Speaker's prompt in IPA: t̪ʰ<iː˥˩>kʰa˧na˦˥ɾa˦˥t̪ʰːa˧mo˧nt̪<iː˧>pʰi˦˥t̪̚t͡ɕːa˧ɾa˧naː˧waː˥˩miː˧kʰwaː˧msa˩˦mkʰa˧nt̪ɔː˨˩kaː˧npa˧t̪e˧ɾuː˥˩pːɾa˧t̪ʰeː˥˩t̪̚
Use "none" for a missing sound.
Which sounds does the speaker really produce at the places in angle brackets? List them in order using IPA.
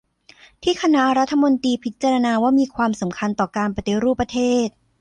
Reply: iː˥˩, iː˧

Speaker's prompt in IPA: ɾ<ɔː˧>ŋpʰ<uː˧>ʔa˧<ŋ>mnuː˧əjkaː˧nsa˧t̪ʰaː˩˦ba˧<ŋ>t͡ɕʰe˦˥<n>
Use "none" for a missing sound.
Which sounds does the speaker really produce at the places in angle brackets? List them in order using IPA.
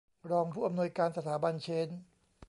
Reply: ɔː˧, uː˥˩, none, n, n

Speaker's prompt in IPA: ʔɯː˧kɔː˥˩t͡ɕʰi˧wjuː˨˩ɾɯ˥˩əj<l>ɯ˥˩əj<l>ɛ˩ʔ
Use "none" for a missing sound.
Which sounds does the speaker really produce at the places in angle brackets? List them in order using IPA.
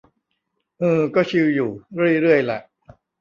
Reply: ɾ, l

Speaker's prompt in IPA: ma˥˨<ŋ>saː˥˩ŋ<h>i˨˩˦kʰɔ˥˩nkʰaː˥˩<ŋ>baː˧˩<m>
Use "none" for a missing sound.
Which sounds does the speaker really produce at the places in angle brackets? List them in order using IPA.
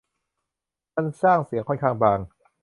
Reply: n, s, ŋ, ŋ

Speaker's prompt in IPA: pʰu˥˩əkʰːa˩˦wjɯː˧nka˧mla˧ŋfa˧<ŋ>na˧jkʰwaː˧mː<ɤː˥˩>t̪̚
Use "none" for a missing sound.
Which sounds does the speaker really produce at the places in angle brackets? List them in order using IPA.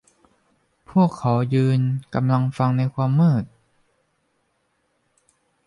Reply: ŋ, ɤː˥˩

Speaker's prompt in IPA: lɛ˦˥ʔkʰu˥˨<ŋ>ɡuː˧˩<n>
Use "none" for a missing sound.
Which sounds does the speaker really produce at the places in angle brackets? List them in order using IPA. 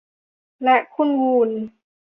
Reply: n, n

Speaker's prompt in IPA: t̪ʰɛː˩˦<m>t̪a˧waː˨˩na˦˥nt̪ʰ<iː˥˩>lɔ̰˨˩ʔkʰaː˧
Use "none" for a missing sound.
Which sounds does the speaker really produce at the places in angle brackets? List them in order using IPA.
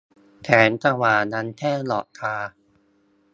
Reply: n, ɛː˥˩

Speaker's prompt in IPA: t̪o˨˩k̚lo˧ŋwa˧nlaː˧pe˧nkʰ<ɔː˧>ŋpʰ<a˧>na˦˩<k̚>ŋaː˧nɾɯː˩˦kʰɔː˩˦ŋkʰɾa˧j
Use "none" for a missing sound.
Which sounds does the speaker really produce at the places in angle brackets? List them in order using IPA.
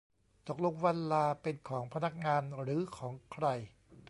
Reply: ɔː˩˦, a˧, k̚

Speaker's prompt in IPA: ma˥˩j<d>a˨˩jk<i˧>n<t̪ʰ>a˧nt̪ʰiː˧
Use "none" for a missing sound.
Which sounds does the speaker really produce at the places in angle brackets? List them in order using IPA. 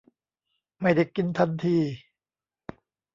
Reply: d, i˧, t̪ʰ

